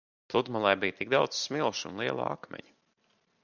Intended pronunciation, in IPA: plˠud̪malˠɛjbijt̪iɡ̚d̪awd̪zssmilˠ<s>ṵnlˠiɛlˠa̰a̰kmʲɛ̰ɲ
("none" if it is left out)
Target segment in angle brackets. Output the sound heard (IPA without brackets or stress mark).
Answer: ʃ